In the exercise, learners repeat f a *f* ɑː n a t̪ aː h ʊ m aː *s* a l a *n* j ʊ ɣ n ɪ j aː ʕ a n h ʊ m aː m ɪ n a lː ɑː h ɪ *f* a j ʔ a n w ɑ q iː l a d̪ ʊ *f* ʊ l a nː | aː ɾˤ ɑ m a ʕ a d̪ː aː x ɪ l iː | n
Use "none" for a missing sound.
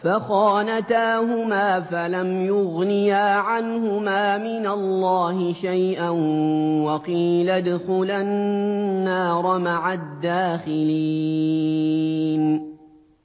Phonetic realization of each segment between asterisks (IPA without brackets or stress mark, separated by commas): x, f, m, ʃ, x